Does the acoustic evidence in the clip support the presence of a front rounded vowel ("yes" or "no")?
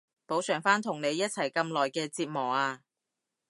yes